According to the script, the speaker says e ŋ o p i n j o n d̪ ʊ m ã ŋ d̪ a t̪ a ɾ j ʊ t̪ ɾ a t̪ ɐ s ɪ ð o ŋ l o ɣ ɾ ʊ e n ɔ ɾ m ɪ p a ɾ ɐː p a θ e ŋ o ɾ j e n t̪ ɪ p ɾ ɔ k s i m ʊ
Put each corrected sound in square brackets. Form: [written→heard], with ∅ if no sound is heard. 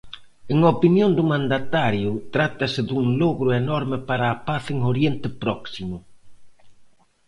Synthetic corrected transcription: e ŋ o p i n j o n d̪ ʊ m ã [ŋ→n] d̪ a t̪ a ɾ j ʊ t̪ ɾ a t̪ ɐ s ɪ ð [o→u] ŋ l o ɣ ɾ ʊ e n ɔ ɾ m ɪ p a ɾ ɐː p a θ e ŋ o ɾ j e n t̪ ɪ p ɾ ɔ k s i m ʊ